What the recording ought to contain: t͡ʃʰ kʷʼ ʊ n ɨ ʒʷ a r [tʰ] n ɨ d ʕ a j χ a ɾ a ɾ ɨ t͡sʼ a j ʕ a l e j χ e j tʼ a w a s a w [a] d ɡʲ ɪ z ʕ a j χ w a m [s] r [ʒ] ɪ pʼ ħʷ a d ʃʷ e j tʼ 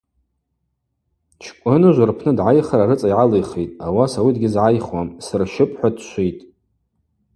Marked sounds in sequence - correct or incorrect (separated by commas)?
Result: incorrect, incorrect, correct, incorrect